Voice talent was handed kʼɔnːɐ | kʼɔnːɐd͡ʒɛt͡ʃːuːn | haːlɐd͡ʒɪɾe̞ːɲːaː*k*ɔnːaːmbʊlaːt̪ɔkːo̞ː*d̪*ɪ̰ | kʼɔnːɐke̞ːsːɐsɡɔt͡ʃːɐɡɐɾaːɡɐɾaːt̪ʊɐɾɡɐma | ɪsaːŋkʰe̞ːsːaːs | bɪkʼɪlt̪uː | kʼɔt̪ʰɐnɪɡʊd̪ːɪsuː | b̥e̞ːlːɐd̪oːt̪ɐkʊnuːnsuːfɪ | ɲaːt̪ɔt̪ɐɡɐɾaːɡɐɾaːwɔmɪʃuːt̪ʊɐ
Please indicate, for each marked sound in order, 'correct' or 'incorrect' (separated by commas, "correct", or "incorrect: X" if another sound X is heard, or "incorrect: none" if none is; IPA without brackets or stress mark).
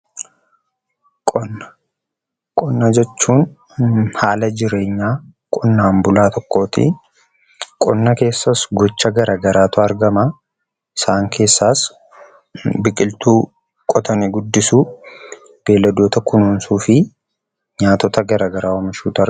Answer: incorrect: kʼ, incorrect: t̪